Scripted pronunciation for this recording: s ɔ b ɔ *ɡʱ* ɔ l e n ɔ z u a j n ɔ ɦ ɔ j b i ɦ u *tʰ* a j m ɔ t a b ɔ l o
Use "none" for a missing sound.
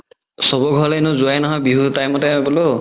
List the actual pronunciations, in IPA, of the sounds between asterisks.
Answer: ɡʱ, t

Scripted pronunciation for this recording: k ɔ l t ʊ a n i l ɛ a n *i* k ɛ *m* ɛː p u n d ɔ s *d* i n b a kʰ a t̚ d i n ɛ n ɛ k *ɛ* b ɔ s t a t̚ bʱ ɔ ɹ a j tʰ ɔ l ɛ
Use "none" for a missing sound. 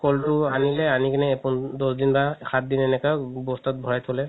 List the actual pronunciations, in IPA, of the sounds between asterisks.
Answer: i, n, d, a

